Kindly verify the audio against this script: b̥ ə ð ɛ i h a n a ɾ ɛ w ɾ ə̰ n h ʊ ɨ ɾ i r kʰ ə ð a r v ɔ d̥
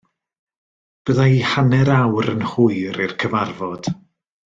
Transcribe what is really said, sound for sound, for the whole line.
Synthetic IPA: b̥ ə ð a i h a n ɛ ɾ a w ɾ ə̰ n h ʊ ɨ ɾ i r kʰ ə v a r v ɔ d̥